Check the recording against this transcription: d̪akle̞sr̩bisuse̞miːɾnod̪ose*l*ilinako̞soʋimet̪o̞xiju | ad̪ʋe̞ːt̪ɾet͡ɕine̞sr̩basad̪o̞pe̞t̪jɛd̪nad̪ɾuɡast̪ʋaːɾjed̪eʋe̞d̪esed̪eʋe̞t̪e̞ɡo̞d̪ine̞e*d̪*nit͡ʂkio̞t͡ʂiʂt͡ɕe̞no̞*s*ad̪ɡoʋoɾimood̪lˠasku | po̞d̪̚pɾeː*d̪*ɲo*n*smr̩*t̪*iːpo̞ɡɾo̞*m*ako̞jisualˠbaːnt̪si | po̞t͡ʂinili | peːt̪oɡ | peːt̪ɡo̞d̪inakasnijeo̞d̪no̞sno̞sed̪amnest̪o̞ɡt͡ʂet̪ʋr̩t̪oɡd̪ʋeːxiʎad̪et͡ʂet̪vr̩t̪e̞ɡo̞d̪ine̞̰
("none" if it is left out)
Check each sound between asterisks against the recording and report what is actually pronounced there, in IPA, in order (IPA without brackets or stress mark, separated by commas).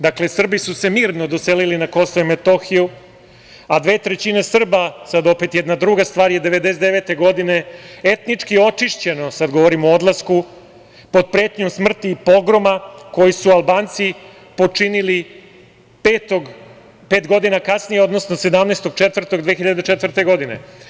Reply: l, t̪, s, t̪, m, t̪, m